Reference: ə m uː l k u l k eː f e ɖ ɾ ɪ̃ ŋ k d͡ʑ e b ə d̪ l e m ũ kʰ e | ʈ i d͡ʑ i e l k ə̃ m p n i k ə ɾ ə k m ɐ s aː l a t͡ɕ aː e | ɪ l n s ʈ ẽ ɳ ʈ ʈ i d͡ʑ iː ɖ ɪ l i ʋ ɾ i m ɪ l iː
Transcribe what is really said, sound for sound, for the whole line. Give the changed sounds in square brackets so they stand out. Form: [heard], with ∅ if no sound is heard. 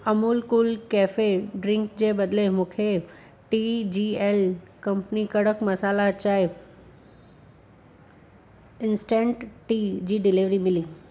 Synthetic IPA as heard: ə m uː l k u l k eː f e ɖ ɾ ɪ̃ ŋ k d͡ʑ e b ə d̪ l e m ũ kʰ e | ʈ i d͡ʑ i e l k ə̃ m p n i k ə [ɽ] ə k m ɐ s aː l a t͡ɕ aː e | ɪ [∅] n s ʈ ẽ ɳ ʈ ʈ i d͡ʑ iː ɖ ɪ l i ʋ ɾ i m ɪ l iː